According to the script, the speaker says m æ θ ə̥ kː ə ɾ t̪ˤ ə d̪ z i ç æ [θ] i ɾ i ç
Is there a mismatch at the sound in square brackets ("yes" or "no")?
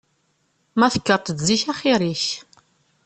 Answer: yes